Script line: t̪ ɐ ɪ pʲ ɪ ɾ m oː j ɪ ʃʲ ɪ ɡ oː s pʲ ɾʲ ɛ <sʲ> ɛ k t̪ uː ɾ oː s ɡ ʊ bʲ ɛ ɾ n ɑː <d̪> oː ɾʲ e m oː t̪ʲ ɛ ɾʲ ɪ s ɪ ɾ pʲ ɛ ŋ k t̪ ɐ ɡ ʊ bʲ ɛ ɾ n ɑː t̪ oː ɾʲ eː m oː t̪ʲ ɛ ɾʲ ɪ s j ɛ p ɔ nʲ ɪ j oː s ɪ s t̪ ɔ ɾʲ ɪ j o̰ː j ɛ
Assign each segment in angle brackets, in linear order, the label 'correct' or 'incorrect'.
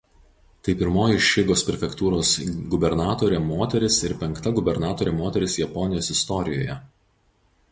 incorrect: fʲ, incorrect: t̪

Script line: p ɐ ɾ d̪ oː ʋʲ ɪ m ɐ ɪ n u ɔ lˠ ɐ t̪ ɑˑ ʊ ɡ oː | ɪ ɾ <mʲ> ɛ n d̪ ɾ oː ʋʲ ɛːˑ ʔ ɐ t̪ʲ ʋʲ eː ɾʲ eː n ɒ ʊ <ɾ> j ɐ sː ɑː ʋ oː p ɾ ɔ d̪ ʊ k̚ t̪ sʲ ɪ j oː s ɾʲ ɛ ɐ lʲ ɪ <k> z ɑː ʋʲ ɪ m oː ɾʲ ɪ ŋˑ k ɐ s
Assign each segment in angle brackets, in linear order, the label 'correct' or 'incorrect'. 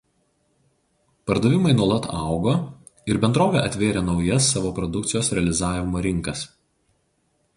incorrect: bʲ, incorrect: none, incorrect: none

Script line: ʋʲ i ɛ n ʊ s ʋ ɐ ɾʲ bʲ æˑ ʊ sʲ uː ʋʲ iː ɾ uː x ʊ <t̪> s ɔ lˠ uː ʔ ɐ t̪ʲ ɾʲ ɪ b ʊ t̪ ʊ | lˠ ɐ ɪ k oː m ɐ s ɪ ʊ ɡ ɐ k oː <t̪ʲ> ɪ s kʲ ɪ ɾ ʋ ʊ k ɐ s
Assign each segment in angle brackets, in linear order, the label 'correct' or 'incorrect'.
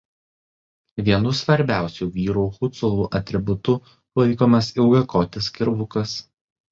correct, correct

